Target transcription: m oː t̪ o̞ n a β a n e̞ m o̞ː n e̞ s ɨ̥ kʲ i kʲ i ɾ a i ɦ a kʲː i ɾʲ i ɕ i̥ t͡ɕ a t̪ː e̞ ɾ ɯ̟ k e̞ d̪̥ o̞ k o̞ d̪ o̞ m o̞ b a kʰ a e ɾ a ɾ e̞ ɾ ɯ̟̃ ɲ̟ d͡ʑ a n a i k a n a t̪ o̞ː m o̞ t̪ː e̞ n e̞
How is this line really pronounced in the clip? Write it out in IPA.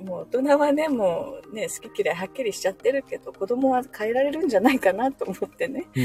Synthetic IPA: m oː t̪ o̞ n a β a n e̞ m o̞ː n e̞ s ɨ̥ kʲ i kʲ i ɾ a i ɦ a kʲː i ɾʲ i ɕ i̥ t͡ɕ a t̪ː e̞ ɾ ɯ̟ k e̞ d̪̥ o̞ k o̞ d̪ o̞ m o̞ β a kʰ a e ɾ a ɾ e̞ ɾ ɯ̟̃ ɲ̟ d͡ʑ a n a i k a n a t̪ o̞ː m o̞ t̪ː e̞ n e̞